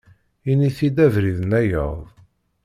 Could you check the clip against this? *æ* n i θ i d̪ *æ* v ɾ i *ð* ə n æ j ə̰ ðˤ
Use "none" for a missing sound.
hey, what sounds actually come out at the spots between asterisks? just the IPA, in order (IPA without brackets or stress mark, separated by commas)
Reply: i, æ, ð